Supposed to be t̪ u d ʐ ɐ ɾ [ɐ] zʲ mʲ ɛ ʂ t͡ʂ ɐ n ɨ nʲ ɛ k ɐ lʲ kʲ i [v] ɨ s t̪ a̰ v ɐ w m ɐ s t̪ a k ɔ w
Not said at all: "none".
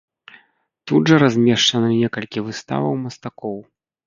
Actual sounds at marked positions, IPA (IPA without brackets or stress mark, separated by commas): a, v